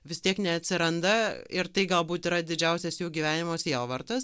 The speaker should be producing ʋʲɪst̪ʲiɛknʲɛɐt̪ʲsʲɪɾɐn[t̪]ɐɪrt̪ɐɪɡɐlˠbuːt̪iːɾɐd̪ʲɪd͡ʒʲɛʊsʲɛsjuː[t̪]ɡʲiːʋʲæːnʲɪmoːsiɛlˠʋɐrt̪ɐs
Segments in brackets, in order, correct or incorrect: incorrect, incorrect

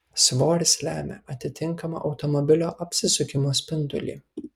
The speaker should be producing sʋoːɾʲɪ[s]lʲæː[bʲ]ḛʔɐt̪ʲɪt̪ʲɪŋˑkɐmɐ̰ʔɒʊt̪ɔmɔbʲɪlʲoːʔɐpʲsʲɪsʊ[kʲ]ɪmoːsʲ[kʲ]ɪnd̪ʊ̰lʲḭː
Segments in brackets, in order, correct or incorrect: correct, incorrect, correct, incorrect

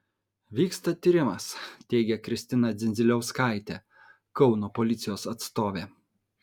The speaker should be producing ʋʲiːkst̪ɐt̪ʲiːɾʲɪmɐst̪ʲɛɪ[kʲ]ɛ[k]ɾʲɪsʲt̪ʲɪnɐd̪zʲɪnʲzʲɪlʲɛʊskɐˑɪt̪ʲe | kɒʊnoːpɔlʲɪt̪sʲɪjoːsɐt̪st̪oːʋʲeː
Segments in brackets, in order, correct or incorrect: incorrect, correct

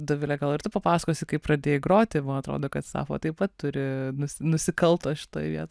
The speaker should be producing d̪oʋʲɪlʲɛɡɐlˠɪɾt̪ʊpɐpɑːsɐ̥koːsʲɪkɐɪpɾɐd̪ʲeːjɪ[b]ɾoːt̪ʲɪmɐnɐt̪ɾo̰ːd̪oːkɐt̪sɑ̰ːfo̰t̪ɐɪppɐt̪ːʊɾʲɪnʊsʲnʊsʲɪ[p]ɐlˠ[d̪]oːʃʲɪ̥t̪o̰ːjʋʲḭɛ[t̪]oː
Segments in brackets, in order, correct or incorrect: incorrect, incorrect, incorrect, correct

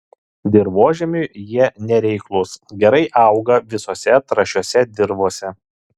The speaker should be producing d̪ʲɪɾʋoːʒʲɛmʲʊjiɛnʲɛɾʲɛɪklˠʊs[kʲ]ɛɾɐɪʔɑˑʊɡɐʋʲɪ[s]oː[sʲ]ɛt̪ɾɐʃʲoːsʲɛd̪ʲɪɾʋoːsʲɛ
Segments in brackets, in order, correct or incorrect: incorrect, correct, correct

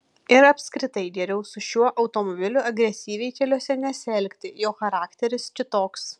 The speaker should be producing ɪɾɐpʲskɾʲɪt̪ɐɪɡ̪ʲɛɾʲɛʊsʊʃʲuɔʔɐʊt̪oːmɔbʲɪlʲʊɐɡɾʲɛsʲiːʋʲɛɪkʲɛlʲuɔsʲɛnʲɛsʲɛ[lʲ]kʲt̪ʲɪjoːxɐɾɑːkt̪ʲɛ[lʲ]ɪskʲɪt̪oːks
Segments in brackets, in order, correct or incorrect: correct, incorrect

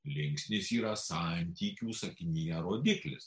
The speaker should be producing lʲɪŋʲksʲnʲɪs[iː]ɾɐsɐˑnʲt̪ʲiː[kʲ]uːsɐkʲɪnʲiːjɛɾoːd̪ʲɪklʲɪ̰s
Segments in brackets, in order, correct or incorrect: correct, correct

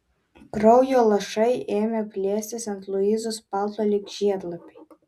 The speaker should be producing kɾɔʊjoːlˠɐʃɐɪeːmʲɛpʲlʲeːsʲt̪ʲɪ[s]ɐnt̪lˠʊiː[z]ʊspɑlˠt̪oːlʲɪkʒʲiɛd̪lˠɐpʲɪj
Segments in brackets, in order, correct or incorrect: correct, correct

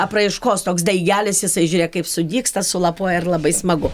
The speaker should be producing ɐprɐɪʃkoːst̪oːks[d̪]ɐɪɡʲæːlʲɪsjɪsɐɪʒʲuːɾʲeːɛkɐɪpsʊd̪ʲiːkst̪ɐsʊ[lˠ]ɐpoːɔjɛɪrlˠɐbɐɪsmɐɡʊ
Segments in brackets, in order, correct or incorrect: correct, correct

